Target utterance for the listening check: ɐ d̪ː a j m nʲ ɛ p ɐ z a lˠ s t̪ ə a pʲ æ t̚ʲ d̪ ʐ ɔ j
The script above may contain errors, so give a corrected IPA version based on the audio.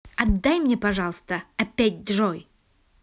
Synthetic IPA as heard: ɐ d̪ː a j m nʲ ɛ p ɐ ʐ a lˠ s t̪ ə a pʲ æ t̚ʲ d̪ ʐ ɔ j